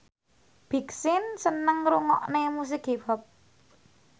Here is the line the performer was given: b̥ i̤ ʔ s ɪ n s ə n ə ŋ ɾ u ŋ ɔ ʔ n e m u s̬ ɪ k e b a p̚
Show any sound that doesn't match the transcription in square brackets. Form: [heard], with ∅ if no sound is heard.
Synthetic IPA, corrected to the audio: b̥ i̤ [k] s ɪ n s ə n ə ŋ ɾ u ŋ ɔ ʔ n e m u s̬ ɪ k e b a p̚